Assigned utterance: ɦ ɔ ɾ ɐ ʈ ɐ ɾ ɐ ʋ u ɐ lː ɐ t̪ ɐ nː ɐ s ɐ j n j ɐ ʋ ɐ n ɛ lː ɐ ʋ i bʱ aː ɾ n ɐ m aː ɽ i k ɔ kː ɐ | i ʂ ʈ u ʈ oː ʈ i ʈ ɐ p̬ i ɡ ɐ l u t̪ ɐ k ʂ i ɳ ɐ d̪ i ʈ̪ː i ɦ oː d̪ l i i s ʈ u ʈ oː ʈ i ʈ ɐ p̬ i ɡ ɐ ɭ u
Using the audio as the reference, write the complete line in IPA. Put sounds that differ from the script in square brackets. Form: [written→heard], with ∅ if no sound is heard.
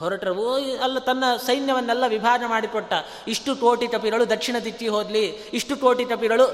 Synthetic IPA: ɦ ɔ ɾ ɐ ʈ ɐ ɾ ɐ ʋ u ɐ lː ɐ t̪ ɐ nː ɐ s ɐ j n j ɐ ʋ ɐ [n→nː] ɛ lː ɐ ʋ i bʱ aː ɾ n ɐ m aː ɽ i k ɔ [kː→ʈː] ɐ | i ʂ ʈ u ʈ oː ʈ i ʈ ɐ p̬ i ɡ ɐ [l→ɭ] u [t̪→d̪] ɐ k ʂ i ɳ ɐ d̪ i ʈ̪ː i ɦ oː d̪ l i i [s→ʂ] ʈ u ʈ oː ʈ i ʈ ɐ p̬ i ɡ ɐ ɭ u